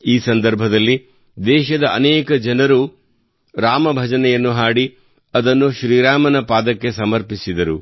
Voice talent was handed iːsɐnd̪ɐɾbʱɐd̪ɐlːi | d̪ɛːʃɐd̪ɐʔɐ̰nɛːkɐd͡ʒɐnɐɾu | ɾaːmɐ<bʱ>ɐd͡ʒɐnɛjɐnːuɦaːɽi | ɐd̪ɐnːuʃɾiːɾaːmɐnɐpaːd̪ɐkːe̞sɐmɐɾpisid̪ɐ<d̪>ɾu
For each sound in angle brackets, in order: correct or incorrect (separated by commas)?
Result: correct, incorrect